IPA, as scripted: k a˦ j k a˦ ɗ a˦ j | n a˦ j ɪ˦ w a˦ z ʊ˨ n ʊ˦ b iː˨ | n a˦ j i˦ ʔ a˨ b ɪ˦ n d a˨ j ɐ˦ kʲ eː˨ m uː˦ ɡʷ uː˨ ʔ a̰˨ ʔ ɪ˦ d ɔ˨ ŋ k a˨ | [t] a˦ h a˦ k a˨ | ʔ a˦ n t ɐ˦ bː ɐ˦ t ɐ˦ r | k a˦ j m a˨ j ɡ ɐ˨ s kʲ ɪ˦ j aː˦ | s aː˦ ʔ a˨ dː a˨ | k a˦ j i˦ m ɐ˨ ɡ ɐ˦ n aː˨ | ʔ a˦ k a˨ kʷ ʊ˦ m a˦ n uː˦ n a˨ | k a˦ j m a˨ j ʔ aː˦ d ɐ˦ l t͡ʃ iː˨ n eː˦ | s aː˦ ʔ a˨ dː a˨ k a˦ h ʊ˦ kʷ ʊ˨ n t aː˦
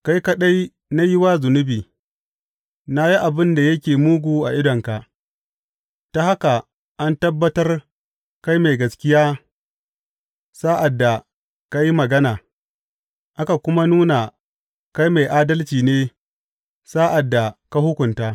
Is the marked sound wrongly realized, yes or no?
no